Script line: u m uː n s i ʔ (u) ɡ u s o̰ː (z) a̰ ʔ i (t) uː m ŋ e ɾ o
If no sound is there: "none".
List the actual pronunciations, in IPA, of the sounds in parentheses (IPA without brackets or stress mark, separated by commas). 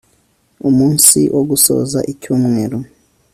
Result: o, z, c